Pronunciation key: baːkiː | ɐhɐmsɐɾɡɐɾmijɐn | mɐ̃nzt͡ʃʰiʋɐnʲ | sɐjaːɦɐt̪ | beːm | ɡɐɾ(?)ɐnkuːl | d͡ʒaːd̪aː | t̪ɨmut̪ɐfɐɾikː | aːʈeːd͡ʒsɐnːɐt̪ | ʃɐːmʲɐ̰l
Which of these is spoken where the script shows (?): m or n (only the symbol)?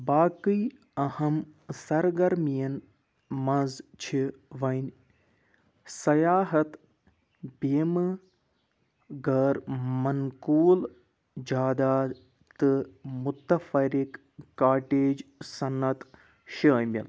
m